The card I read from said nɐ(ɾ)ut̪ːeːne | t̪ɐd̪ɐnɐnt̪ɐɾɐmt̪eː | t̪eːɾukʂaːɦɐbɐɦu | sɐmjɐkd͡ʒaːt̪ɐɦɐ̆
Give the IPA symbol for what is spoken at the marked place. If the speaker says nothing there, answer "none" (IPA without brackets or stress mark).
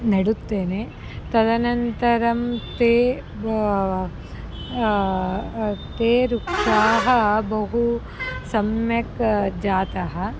ɽ